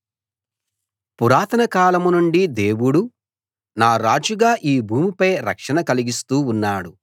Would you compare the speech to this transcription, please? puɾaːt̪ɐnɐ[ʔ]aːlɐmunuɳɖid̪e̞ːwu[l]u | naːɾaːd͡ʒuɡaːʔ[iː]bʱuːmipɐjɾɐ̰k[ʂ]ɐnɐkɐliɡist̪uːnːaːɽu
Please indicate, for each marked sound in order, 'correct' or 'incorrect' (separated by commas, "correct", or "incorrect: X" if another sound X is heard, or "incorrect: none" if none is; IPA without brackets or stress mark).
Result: incorrect: k, incorrect: ɽ, correct, correct